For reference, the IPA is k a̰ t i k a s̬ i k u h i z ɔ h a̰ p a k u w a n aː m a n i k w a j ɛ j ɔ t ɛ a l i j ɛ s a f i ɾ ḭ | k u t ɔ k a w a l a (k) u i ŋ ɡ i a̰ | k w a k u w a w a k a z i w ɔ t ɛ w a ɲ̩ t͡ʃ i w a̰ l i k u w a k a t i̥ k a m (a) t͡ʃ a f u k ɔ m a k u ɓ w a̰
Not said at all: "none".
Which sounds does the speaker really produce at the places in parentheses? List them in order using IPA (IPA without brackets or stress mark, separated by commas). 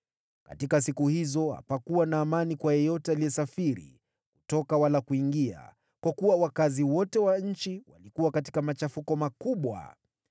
k, a